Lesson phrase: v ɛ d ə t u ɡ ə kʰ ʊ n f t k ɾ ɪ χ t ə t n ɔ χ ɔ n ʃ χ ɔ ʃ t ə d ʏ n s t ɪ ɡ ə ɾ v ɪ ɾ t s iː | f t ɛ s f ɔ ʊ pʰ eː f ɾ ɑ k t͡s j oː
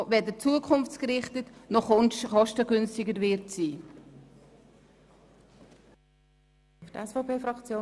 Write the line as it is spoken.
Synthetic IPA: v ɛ d ə t͡s u ə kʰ ʊ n f t͡s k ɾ ɪ χ t ə t n ɔ χ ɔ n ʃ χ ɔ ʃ t ə ɡ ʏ n s t ɪ ɡ ə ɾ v ɪ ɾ t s iː | f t ɛ s f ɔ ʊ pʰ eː f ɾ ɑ k t͡s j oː